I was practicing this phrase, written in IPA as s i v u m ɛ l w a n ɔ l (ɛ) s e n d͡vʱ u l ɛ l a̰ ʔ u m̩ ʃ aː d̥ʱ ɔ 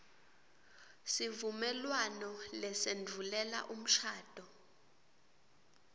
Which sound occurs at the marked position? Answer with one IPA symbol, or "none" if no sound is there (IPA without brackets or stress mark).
ɛ